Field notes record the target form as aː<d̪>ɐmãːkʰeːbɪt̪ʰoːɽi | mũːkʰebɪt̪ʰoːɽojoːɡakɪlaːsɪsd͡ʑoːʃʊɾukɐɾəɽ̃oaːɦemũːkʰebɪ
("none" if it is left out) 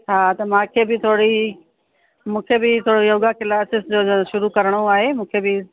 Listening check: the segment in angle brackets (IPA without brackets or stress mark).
t̪